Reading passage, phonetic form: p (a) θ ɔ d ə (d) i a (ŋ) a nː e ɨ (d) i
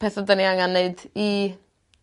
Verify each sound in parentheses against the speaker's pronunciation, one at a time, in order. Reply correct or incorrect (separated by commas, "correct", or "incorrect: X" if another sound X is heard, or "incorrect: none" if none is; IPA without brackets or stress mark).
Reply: incorrect: ɛ, incorrect: n, correct, correct